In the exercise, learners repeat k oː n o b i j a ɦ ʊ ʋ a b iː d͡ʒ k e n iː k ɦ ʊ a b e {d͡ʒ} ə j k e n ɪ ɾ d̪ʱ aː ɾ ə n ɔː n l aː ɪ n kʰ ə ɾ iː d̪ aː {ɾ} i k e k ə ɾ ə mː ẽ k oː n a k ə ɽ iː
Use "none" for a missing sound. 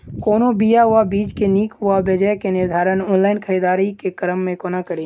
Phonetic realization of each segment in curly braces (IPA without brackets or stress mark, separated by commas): d͡ʒ, ɾ